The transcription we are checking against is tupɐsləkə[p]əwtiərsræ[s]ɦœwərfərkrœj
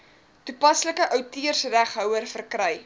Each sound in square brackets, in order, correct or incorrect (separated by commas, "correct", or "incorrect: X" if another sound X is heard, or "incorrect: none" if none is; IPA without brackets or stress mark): incorrect: ʔ, incorrect: χ